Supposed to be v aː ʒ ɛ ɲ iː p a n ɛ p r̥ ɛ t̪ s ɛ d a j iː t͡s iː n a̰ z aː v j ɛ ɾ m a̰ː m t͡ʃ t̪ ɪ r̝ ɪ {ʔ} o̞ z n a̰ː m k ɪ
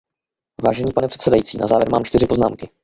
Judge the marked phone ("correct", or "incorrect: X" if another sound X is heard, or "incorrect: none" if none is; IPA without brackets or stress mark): incorrect: p